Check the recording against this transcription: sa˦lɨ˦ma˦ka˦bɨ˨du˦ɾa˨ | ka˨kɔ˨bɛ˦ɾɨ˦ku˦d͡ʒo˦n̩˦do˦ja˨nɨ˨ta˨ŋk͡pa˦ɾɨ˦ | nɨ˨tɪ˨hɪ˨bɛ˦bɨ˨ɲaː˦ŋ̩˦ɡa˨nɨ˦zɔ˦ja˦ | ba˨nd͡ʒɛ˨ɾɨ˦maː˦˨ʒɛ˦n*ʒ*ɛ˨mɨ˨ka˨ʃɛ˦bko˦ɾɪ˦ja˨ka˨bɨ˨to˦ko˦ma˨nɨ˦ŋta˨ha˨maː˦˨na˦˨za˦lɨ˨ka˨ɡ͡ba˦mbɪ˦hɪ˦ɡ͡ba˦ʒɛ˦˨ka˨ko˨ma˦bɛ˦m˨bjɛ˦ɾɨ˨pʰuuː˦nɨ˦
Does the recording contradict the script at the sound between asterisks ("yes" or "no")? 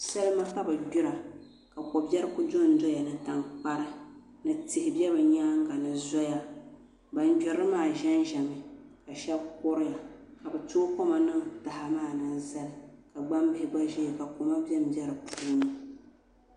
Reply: no